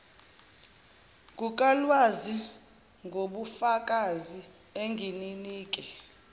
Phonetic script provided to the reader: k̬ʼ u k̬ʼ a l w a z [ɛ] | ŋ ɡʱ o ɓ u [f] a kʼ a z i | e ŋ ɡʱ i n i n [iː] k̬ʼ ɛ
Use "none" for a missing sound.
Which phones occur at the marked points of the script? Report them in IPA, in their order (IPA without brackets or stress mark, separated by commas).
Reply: i, f, iː